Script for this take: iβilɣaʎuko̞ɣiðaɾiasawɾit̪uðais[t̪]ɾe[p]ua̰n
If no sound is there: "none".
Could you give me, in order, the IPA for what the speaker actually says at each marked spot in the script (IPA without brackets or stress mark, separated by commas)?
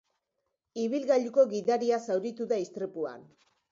t̪, p